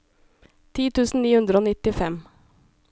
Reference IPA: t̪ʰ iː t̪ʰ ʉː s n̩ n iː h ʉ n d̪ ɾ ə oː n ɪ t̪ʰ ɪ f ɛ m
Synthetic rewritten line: t̪ʰ iː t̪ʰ ʉː s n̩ n iː h ʉ n d̪ ɾ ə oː n ɪ t̪ ɪ f ɛ m